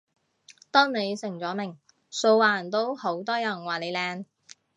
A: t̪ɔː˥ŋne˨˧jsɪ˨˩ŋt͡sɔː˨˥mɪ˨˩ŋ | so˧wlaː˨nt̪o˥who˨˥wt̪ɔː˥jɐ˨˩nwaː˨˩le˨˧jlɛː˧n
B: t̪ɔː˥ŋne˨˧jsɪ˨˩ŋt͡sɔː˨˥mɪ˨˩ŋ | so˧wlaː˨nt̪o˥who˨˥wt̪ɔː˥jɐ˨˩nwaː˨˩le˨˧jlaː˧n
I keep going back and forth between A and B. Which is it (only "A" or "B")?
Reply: A